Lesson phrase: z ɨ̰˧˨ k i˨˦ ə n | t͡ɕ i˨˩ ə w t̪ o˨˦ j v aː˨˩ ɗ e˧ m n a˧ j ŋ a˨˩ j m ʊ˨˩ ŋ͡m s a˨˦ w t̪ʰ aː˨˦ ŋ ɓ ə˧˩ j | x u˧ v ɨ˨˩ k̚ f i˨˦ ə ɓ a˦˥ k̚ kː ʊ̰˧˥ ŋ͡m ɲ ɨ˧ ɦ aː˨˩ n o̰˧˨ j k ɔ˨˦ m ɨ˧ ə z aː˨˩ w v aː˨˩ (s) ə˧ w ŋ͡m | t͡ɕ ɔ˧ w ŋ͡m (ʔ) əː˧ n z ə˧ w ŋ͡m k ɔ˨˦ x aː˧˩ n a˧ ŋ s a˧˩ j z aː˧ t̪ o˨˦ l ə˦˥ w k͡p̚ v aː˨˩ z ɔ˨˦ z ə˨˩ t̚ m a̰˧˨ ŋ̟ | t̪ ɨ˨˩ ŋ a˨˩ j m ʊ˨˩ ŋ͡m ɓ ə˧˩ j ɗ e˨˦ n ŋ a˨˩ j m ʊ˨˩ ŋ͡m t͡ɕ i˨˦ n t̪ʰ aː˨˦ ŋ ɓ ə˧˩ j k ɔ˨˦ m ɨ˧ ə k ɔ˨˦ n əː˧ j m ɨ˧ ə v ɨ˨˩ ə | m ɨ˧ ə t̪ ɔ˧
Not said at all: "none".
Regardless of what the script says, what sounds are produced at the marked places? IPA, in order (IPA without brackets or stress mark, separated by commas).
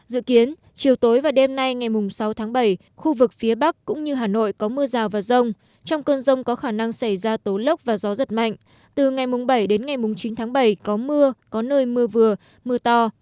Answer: z, k